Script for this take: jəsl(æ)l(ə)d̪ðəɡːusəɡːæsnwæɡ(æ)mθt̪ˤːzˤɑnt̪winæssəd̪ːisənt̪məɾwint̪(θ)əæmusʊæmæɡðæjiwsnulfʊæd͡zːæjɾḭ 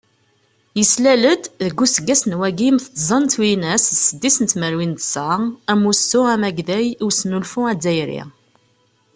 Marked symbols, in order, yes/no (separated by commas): yes, yes, no, no